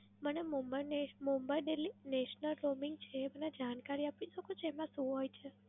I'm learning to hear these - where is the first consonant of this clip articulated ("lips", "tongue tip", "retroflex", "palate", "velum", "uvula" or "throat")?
lips